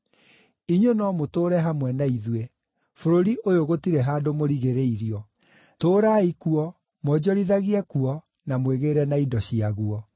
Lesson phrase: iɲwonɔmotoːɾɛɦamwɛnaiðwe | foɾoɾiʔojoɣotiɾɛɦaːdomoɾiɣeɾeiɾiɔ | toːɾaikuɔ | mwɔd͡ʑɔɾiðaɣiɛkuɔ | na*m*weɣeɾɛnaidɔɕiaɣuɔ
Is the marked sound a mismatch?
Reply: no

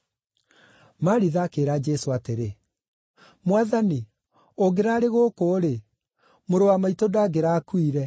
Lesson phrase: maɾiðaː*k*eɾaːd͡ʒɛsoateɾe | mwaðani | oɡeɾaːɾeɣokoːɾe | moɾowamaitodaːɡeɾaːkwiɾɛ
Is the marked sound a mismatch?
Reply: no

